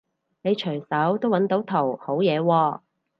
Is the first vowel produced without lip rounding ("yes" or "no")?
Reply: yes